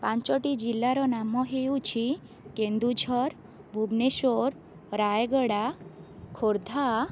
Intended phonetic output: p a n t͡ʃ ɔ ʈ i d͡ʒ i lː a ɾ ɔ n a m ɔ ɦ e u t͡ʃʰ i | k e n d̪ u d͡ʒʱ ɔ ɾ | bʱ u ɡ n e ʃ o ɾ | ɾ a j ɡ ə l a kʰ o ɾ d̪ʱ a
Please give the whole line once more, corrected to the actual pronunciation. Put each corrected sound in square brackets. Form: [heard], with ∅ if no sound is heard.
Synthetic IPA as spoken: p a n t͡ʃ ɔ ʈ i d͡ʒ i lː a ɾ ɔ n a m ɔ ɦ e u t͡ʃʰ i | k e n d̪ u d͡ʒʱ ɔ ɾ | bʱ u [b] n e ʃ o ɾ | ɾ a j ɡ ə [ɽ] a kʰ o ɾ d̪ʱ a

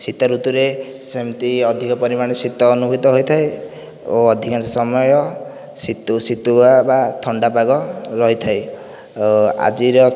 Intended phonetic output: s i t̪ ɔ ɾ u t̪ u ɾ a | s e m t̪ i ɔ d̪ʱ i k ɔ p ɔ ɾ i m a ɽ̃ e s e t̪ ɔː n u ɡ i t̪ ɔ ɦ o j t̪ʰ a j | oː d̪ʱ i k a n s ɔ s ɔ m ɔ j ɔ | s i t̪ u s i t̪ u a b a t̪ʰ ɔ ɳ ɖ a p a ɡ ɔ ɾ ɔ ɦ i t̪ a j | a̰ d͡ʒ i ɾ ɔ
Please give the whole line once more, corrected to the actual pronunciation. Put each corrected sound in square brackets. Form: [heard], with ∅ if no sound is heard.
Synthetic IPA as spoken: s i t̪ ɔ ɾ u t̪ u ɾ [e] | s e m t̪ i ɔ d̪ʱ i k ɔ p ɔ ɾ i m a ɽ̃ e s [i] t̪ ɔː n u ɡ i t̪ ɔ ɦ o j t̪ʰ a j | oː d̪ʱ i k a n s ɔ s ɔ m ɔ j ɔ | s i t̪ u s i t̪ u a b a t̪ʰ ɔ ɳ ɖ a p a ɡ ɔ ɾ ɔ ɦ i [t̪ʰ] a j | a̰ d͡ʒ i ɾ ɔ

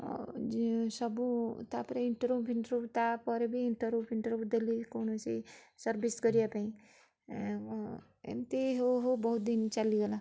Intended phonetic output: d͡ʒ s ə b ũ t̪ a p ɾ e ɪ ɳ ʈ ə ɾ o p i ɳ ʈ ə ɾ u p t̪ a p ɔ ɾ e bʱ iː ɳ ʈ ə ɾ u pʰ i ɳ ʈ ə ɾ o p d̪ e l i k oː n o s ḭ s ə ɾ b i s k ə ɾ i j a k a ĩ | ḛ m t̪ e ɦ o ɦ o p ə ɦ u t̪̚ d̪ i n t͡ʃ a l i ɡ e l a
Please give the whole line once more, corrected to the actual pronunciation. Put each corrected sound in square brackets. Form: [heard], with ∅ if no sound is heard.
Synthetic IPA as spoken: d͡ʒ s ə b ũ t̪ a p ɾ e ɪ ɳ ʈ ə ɾ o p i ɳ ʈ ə ɾ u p t̪ a p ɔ ɾ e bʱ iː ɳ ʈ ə ɾ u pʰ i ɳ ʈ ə ɾ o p d̪ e l i k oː n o s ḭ s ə ɾ b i s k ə ɾ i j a [p] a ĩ | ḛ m t̪ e ɦ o ɦ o [b] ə ɦ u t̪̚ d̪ i n t͡ʃ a l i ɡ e l a

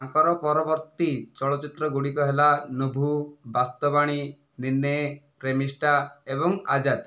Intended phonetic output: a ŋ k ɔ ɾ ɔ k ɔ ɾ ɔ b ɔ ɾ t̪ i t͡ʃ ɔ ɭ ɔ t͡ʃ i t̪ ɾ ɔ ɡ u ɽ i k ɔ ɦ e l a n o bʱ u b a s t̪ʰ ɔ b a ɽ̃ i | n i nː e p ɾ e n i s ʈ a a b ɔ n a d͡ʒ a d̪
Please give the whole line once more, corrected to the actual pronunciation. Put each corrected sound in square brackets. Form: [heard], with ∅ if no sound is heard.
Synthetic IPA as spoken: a ŋ k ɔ ɾ ɔ [p] ɔ ɾ ɔ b ɔ ɾ t̪ i t͡ʃ ɔ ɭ ɔ t͡ʃ i t̪ ɾ ɔ ɡ u ɽ i k ɔ ɦ e l a n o bʱ u b a s [t̪] ɔ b a ɽ̃ i | n i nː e p ɾ e [m] i s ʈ a [e] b ɔ [ŋ] a d͡ʒ a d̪

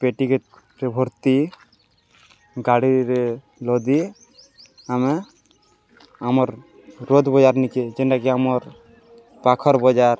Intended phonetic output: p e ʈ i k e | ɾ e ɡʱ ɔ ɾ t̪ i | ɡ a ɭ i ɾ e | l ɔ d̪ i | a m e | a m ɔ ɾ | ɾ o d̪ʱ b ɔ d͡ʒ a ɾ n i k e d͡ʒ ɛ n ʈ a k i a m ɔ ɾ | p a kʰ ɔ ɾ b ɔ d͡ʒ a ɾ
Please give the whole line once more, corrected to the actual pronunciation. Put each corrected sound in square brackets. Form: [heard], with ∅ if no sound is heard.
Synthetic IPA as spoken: p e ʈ i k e | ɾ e [bʱ] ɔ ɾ t̪ i | ɡ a [ɽ] i ɾ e | l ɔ d̪ i | a m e | a m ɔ ɾ | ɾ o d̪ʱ b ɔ d͡ʒ a ɾ n i k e d͡ʒ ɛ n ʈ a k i a m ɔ ɾ | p a kʰ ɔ ɾ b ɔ d͡ʒ a ɾ

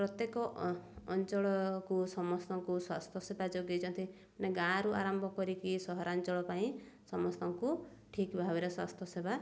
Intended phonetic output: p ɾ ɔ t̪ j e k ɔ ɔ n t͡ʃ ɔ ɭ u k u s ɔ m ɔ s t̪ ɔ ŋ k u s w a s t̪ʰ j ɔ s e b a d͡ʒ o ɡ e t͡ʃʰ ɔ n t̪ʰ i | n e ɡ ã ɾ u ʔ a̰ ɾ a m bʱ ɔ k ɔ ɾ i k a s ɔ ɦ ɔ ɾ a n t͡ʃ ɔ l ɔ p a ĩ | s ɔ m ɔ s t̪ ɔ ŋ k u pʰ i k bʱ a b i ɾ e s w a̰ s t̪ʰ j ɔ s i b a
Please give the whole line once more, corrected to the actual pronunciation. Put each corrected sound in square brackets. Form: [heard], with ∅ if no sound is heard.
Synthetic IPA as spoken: p ɾ ɔ t̪ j e k ɔ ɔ n t͡ʃ ɔ ɭ [ɔ] k u s ɔ m ɔ s t̪ ɔ ŋ k u s w a s t̪ʰ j ɔ s e b a d͡ʒ o ɡ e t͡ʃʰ ɔ n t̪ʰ i | n e ɡ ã ɾ u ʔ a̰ ɾ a m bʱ ɔ k ɔ ɾ i k [i] s ɔ ɦ ɔ ɾ a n t͡ʃ ɔ [ɭ] ɔ p a ĩ | s ɔ m ɔ s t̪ ɔ ŋ k u [ʈʰ] i k bʱ a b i ɾ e s w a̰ s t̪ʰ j ɔ s [e] b a

